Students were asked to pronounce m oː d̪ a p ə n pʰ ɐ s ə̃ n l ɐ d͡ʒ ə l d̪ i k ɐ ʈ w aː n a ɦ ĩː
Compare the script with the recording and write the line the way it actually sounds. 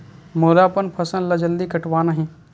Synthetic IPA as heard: m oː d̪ a p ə n pʰ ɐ s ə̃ n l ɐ d͡ʒ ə l d̪ i k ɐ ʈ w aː n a ɦ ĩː